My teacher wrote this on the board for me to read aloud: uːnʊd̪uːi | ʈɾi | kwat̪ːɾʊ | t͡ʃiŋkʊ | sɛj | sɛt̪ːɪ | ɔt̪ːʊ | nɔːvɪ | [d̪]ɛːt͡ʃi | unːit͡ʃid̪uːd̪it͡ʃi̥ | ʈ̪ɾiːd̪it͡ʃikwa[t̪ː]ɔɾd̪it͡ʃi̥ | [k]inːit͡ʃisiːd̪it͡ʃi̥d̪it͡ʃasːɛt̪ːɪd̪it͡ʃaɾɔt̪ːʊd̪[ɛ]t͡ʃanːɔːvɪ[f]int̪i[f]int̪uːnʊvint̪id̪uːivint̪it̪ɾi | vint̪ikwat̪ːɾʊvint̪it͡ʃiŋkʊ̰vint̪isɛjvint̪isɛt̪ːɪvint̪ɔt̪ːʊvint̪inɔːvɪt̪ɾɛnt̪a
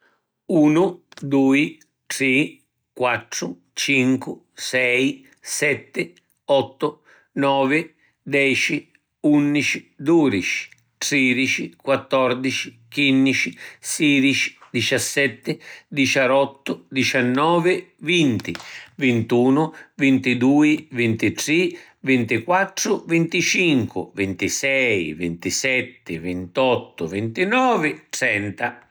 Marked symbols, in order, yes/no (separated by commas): yes, yes, yes, no, no, no